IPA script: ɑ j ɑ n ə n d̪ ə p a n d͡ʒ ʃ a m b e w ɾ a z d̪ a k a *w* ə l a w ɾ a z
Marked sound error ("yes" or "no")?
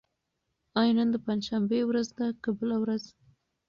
yes